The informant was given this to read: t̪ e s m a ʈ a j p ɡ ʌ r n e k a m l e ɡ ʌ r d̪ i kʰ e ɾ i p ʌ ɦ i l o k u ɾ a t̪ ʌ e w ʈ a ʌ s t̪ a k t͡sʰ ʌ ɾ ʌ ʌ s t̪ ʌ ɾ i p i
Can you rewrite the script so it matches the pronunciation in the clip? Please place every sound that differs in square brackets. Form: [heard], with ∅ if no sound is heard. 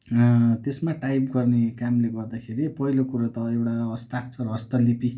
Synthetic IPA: t̪ e s m a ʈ a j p ɡ ʌ r n e k a m l e ɡ ʌ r d̪ [a] kʰ e ɾ i p ʌ ɦ i l o k u ɾ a t̪ ʌ e w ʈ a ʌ s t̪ a k t͡sʰ ʌ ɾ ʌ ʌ s t̪ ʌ [l] i p i